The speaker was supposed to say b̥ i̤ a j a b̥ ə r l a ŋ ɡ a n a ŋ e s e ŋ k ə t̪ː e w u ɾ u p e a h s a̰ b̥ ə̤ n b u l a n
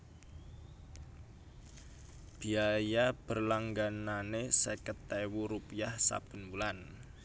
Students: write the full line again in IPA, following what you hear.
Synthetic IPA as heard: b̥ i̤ a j a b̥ ə r l a ŋ ɡ a n a n e s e k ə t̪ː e w u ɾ u p i a h s a̰ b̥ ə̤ n b u l a n